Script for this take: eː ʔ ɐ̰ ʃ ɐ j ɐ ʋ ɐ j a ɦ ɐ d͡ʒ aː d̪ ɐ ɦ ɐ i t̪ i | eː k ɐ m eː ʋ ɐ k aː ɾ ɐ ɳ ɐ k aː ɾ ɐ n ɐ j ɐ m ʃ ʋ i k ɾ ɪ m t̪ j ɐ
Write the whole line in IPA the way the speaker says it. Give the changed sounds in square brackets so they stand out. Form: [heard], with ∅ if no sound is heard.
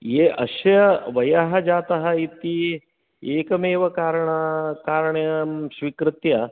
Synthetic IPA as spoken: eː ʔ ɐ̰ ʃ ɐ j ɐ ʋ ɐ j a ɦ ɐ d͡ʒ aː [t̪] ɐ ɦ ɐ i t̪ i | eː k ɐ m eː ʋ ɐ k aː ɾ ɐ ɳ ɐ k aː ɾ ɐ [ɳ] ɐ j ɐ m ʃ ʋ i k ɾ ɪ [∅] t̪ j ɐ